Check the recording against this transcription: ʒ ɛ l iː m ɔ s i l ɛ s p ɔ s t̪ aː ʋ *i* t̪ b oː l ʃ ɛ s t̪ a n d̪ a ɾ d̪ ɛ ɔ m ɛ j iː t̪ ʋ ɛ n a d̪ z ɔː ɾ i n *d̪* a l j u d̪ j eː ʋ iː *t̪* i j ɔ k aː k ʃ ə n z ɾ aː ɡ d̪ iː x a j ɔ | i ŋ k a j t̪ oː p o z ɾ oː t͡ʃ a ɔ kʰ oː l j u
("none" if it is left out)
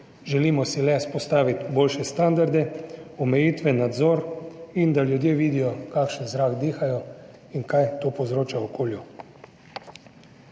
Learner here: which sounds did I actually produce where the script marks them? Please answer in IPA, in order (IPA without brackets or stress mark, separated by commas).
i, d̪, d̪